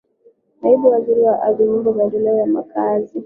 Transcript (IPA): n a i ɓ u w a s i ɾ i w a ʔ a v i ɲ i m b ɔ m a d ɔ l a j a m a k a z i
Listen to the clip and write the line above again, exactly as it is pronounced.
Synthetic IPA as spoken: n a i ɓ u w a z i ɾ i w a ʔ a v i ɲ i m b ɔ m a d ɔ l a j a m a k a z i